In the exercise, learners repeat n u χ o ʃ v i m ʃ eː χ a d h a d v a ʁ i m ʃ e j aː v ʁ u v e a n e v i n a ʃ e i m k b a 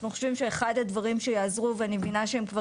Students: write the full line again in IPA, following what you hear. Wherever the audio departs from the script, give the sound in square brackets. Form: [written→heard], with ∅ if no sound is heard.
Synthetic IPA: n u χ o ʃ v i m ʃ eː χ a d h a d v a ʁ i m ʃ e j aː [v→z] ʁ u v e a n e v i n a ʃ e [i→e] m k [b→v] a